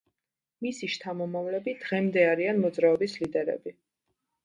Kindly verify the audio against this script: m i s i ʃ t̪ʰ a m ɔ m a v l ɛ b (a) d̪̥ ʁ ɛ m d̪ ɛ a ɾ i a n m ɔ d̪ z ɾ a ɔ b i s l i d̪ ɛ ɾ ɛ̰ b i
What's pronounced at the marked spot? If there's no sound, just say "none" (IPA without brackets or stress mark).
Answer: i